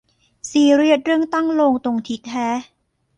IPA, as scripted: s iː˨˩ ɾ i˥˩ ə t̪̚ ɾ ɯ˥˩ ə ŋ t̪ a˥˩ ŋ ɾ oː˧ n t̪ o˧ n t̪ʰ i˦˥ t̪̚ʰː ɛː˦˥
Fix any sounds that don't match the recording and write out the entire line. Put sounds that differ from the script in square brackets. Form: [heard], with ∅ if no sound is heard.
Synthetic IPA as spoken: s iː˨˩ ɾ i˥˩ ə t̪̚ ɾ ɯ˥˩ ə ŋ t̪ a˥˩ ŋ [l] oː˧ [ŋ] t̪ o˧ [ŋ] t̪ʰ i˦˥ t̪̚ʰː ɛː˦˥